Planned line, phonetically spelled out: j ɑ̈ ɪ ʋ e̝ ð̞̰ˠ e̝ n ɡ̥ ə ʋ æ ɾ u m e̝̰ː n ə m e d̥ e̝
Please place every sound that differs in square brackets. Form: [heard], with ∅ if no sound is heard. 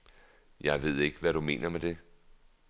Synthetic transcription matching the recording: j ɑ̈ ɪ ʋ e̝ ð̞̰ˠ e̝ [∅] ɡ̥ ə ʋ æ ɾ u m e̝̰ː n [ɐ] m e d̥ e̝

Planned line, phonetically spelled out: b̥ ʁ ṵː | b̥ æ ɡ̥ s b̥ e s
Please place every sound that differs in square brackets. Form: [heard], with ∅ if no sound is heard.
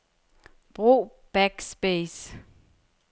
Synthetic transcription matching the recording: b̥ ʁ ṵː | b̥ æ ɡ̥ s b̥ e s

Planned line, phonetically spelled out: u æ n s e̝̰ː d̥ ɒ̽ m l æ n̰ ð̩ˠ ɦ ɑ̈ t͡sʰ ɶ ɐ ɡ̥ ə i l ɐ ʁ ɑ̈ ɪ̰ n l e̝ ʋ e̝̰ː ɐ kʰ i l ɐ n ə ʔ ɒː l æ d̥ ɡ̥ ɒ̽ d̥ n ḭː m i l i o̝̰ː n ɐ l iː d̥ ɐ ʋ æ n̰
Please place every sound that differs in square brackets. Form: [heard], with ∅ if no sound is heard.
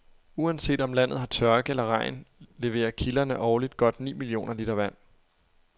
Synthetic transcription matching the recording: u æ n s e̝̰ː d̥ ɒ̽ m l æ n̰ ð̩ˠ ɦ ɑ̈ t͡sʰ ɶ ɐ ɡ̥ ə [e] l ɐ ʁ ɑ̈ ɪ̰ n l e̝ ʋ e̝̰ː ɐ kʰ i l ɐ n ə ʔ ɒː l [i] d̥ ɡ̥ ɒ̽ d̥ n ḭː m i l i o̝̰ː n ɐ l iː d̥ ɐ ʋ æ n̰

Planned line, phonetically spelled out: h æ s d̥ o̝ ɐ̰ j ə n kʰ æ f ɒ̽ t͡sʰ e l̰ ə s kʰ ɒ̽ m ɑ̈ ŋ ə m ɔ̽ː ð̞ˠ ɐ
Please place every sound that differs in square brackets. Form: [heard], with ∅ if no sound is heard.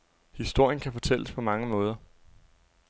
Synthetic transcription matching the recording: h [i] s d̥ o̝ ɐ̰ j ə n kʰ æ f ɒ̽ t͡sʰ e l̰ ə s [pʰ] ɒ̽ m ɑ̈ ŋ ə m ɔ̽ː ð̞ˠ ɐ

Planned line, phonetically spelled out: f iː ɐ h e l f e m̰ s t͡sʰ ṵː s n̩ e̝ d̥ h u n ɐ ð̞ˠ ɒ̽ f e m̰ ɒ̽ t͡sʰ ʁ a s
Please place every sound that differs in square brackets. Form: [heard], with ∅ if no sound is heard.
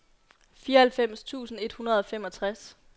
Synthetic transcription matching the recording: f iː ɐ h [æ] l f e m̰ s t͡sʰ ṵː s n̩ e̝ d̥ h u n ɐ ð̞ˠ ɒ̽ f e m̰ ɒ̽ t͡sʰ ʁ a s

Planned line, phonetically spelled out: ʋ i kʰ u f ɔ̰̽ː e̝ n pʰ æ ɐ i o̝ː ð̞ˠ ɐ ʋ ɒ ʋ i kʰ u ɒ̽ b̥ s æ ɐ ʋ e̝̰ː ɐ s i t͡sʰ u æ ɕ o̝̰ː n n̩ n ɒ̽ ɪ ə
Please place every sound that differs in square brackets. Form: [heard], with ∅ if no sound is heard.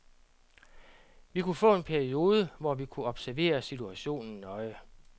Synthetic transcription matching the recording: ʋ i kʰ u f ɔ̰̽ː e̝ n pʰ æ ɐ i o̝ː ð̞ˠ [ə] ʋ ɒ ʋ i kʰ u ɒ̽ b̥ s æ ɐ ʋ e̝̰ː ɐ s i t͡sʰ u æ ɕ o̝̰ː n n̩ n ɒ̽ ɪ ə

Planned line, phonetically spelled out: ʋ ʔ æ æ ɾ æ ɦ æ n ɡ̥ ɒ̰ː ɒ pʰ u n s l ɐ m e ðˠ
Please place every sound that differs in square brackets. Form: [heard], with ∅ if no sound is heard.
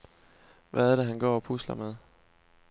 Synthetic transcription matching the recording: ʋ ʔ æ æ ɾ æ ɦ æ n ɡ̥ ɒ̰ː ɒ pʰ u [∅] s l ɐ m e ðˠ

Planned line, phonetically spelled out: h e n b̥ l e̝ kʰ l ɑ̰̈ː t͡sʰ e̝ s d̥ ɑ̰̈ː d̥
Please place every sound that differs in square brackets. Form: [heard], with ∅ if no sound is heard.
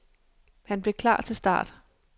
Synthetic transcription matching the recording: h [æ] n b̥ l e̝ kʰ l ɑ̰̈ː t͡sʰ e̝ s d̥ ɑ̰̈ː d̥

